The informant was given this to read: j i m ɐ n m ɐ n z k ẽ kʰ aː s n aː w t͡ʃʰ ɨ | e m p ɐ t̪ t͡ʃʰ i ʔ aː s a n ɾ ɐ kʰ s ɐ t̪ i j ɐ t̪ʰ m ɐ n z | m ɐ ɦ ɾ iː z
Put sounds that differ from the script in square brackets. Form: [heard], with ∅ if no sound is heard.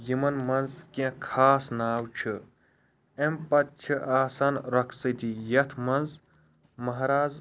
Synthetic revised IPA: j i m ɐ n m ɐ n z k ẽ kʰ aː s n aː w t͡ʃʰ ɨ | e m p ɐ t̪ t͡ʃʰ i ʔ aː s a n ɾ ɐ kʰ s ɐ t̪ i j ɐ t̪ʰ m ɐ n z | m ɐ ɦ ɾ [aː] z